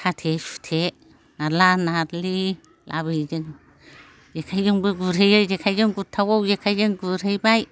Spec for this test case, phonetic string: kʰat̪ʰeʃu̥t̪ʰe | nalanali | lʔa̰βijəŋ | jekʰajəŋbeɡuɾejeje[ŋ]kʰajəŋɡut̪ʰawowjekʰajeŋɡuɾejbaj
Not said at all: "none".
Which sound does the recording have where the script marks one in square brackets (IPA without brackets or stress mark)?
none